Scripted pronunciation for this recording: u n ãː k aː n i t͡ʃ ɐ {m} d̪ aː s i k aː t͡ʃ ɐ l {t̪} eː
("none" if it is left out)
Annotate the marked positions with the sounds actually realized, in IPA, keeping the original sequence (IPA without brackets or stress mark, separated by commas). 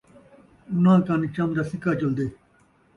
m, d̪